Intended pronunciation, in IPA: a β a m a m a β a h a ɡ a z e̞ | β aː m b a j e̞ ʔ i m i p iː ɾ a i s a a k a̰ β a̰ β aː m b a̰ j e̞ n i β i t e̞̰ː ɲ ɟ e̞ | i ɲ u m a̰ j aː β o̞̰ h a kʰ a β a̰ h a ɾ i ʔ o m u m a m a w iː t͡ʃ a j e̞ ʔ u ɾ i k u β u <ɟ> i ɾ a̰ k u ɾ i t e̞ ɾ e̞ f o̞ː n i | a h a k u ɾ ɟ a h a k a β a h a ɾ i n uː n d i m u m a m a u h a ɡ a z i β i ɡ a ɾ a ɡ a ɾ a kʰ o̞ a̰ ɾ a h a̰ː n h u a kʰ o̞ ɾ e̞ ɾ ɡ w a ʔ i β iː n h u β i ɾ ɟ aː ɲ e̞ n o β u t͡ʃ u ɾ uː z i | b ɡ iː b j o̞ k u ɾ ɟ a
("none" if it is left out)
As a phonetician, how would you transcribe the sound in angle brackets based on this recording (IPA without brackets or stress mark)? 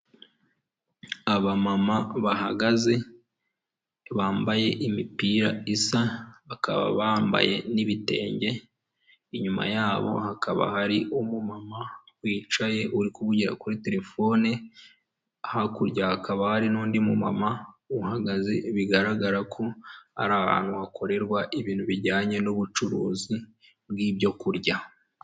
ɟ